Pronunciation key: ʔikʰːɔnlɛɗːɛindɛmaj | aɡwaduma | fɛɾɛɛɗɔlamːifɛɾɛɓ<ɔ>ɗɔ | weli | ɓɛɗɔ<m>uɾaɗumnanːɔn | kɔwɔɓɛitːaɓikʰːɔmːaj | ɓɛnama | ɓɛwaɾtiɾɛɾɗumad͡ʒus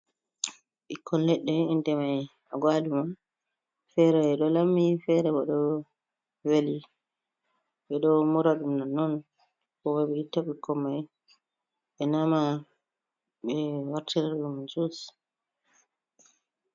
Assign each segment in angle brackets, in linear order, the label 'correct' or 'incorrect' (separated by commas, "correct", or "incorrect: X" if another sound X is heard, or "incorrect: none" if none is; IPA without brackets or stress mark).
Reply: correct, correct